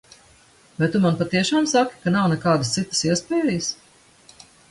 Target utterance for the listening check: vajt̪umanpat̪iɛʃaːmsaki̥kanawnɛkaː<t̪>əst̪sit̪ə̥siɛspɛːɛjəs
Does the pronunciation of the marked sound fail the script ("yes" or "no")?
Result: yes